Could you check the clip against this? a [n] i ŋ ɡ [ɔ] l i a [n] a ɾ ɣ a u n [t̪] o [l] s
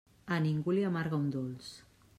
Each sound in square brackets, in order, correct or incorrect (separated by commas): correct, incorrect, incorrect, incorrect, correct